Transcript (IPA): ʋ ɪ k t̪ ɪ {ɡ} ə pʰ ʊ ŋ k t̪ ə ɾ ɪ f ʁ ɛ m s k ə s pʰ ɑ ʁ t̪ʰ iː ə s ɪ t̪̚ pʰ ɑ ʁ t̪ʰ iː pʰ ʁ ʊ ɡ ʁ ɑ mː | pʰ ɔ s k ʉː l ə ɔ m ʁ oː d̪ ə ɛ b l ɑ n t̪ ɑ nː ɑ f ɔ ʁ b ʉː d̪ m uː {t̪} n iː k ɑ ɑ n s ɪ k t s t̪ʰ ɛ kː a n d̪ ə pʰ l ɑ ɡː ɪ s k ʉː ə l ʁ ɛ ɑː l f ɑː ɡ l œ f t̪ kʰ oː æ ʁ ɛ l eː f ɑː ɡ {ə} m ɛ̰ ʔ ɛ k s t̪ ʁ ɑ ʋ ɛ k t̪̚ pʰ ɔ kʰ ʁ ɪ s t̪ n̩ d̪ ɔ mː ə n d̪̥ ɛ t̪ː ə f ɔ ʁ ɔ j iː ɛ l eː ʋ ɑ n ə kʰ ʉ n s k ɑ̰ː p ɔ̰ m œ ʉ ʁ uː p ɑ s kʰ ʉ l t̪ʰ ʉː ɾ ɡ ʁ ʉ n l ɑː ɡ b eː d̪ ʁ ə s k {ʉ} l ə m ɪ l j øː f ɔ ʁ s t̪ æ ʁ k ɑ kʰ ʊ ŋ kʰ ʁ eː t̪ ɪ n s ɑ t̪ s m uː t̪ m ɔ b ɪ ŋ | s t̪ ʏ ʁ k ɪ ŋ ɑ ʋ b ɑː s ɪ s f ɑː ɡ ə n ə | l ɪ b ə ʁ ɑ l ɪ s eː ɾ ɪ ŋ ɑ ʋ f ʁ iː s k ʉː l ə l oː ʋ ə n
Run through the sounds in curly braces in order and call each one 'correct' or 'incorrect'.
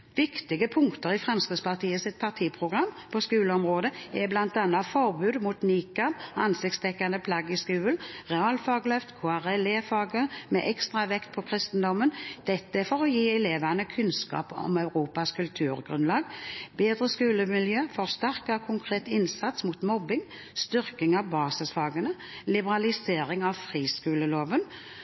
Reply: correct, correct, correct, incorrect: ʉː

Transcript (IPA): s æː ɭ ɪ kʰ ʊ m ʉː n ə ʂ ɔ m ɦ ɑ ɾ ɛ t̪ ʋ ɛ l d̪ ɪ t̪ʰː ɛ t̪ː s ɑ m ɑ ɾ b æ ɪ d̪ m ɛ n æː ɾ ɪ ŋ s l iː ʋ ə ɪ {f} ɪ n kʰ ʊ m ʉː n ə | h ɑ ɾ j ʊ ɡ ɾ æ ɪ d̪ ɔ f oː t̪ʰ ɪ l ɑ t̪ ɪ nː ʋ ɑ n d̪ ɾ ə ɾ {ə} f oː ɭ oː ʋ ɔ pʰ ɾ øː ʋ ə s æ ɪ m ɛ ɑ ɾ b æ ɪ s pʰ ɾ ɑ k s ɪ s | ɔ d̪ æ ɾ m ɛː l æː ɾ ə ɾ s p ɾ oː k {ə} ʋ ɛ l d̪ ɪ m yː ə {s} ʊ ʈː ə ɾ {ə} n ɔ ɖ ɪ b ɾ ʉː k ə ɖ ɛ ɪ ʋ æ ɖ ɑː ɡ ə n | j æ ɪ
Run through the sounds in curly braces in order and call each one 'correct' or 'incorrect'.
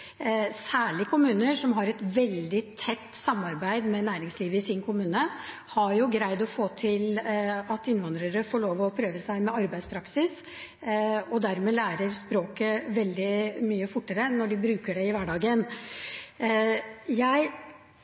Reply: incorrect: s, correct, correct, incorrect: f, correct

